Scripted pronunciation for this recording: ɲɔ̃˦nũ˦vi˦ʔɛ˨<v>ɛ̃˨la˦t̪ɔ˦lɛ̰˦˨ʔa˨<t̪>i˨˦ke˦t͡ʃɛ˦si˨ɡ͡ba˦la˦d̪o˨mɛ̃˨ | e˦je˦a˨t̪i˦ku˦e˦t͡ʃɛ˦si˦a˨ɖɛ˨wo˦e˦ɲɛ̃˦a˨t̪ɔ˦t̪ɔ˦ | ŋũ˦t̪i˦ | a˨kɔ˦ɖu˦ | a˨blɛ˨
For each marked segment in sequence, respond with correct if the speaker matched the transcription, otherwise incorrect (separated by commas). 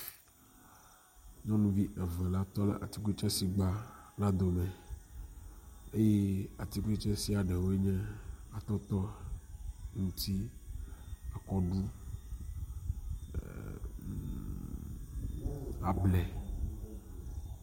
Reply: correct, correct